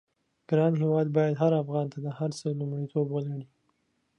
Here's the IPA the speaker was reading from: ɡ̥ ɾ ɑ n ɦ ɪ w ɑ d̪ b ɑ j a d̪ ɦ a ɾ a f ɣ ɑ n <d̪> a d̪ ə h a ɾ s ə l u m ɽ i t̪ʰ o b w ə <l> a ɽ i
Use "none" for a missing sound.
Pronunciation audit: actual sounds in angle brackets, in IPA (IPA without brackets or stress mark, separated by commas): t̪, l